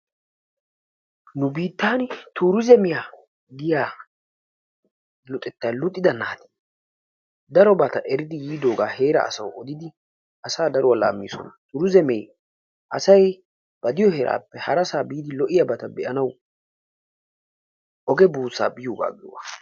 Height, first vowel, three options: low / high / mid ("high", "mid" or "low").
high